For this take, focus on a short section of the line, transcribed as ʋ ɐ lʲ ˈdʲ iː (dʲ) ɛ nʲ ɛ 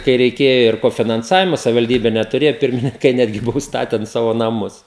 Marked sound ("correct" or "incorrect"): incorrect